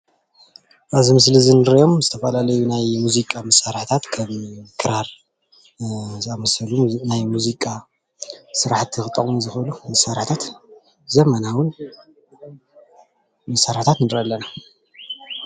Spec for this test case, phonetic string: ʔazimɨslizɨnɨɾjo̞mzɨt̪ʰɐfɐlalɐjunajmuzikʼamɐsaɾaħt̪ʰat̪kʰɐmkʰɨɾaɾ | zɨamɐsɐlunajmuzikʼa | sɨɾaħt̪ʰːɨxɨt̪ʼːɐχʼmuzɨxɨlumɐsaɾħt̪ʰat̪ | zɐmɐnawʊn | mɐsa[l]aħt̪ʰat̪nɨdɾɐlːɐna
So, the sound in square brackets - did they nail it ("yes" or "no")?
no